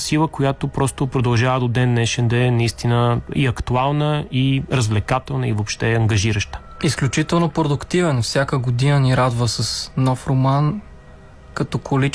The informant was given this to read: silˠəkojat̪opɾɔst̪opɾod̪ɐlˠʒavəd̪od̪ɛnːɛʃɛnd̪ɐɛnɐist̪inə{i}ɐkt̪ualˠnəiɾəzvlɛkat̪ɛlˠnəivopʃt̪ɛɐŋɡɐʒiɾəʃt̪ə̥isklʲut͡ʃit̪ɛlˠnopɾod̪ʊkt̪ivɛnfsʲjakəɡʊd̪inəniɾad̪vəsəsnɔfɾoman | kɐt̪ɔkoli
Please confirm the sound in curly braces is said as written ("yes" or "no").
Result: yes